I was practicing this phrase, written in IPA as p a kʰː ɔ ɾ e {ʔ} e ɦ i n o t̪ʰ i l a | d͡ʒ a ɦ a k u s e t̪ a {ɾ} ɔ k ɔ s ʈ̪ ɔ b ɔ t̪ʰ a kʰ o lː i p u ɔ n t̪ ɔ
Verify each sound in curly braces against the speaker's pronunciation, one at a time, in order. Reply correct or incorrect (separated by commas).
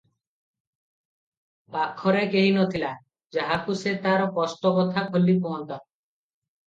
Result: incorrect, correct